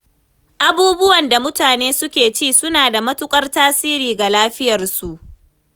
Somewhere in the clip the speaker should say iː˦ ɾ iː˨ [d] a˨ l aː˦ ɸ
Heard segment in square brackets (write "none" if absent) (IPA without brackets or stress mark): ɡ